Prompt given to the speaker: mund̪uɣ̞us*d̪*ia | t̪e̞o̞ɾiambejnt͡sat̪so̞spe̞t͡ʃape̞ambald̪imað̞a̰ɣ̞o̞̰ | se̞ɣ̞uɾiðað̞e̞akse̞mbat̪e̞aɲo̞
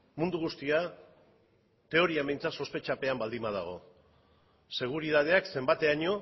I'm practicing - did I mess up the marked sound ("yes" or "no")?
yes